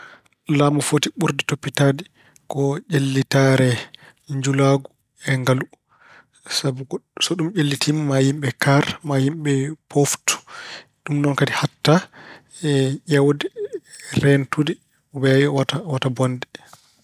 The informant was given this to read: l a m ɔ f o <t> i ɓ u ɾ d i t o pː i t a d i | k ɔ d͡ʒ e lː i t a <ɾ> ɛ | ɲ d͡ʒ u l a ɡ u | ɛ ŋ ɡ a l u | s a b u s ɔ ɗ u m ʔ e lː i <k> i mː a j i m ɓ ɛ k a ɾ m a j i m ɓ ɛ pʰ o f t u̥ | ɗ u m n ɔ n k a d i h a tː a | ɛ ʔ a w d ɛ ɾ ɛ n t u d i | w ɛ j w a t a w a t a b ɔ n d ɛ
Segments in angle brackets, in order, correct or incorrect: correct, correct, incorrect: t

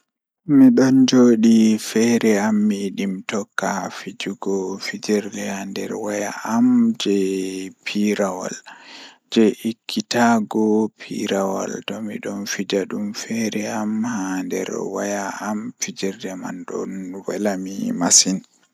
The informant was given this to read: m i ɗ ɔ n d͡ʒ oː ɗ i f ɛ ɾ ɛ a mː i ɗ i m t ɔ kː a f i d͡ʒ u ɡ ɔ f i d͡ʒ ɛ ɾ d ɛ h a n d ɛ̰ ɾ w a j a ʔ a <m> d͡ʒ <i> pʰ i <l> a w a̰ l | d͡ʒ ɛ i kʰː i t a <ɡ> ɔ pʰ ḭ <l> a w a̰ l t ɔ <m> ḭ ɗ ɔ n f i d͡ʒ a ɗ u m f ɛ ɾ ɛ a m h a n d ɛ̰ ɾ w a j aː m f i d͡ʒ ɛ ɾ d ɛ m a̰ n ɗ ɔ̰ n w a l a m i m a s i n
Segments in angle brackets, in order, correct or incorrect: correct, incorrect: ɛ, incorrect: ɾ, correct, incorrect: ɾ, correct

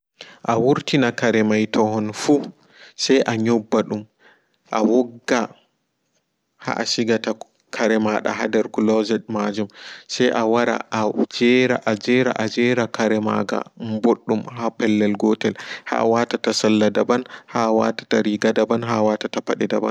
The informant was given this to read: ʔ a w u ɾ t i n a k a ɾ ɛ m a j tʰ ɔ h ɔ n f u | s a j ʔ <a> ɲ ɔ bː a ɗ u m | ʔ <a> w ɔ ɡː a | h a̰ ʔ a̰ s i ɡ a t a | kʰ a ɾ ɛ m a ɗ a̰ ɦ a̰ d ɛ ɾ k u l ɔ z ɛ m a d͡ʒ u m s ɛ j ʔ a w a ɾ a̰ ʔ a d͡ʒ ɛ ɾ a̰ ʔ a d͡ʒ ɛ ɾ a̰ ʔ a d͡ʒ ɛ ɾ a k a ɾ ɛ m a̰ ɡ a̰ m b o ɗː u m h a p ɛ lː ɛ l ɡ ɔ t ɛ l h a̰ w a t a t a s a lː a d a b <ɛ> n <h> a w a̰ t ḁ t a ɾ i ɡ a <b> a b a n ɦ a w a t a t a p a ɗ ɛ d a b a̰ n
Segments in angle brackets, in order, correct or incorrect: correct, correct, incorrect: a, correct, incorrect: d

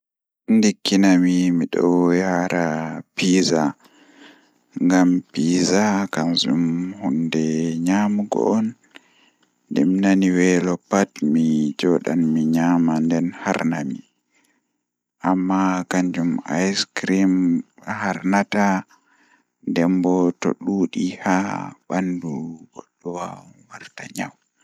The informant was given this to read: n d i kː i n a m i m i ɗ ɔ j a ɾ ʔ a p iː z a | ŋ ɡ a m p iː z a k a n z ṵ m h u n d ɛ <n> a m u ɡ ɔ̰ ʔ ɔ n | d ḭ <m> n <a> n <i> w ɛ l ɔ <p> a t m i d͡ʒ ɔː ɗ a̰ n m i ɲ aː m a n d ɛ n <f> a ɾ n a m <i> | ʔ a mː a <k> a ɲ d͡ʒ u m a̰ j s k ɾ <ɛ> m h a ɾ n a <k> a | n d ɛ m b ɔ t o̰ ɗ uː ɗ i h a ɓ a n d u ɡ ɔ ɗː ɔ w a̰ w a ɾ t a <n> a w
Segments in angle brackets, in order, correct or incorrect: incorrect: ɲ, correct, correct, correct, correct, incorrect: h, correct, correct, incorrect: i, incorrect: t, incorrect: ɲ

